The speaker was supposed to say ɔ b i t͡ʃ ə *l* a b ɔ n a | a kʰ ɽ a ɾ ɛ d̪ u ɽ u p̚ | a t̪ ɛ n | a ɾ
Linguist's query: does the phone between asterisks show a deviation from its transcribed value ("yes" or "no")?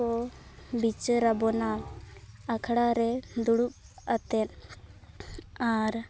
yes